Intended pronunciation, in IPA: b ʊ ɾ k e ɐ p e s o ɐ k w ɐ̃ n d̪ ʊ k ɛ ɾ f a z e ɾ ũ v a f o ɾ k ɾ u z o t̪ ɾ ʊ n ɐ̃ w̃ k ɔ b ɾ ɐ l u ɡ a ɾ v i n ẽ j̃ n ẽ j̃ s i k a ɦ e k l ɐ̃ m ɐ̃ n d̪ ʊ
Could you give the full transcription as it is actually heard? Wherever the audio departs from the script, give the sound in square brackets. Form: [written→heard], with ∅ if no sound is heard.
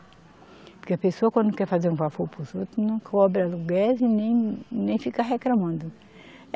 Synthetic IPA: [b→p] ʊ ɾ k e ɐ p e s o ɐ k w ɐ̃ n d̪ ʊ k ɛ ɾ f a z e ɾ ũ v a f o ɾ [k→p] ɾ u z o t̪ ɾ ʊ n ɐ̃ w̃ k ɔ b ɾ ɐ l u ɡ a ɾ [v→z] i n ẽ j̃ n ẽ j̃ [s→f] i k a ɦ e k l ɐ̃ m ɐ̃ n d̪ ʊ